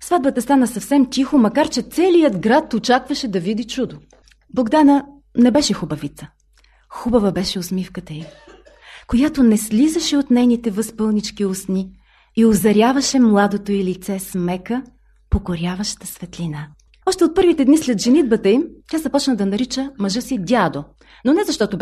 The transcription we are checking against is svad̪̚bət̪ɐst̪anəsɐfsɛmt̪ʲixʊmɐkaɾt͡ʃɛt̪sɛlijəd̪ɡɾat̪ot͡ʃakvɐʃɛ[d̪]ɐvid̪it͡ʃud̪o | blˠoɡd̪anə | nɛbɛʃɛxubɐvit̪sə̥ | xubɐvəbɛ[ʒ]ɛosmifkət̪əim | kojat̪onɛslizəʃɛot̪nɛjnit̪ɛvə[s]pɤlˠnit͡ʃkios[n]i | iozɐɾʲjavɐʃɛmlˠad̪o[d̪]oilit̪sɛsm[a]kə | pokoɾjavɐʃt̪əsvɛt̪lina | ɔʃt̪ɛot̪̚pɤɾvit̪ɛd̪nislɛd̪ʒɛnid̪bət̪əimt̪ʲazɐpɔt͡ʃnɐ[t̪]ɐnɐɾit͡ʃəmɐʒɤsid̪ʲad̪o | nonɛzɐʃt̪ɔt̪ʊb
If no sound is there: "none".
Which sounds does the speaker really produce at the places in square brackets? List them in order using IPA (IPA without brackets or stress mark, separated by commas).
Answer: d̪, ʃ, s, n, t̪, ɛ, d̪